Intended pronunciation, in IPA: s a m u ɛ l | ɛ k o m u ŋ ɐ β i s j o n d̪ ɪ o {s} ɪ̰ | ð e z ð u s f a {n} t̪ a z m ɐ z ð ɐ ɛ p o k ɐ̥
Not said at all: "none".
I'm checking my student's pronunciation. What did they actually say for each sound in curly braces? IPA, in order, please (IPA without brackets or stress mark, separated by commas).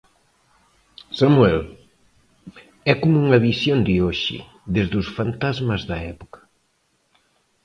ʃ, n